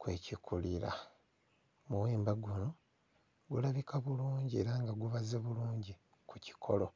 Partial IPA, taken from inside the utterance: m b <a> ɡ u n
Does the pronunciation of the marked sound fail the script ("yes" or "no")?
no